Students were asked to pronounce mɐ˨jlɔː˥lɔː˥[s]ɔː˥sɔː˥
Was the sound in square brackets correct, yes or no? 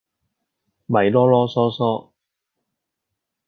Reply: yes